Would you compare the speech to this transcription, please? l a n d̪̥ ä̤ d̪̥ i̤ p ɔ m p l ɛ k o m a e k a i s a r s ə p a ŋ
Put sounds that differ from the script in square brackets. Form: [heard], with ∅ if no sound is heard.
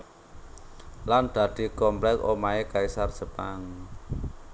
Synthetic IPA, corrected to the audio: l a n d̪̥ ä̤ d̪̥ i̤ [k] ɔ m p l ɛ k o m a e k a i s a r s ə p a ŋ